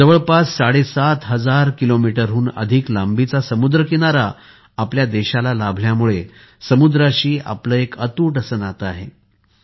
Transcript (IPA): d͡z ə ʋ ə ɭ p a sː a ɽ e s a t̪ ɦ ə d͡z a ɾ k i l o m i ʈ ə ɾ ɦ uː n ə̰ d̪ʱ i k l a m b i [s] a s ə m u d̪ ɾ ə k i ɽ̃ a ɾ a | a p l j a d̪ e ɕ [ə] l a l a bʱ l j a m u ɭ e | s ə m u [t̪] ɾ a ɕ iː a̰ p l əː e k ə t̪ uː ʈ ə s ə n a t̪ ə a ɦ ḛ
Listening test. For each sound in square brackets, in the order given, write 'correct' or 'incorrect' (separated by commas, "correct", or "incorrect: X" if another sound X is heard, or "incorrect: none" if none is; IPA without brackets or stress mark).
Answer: incorrect: t͡s, incorrect: a, incorrect: d̪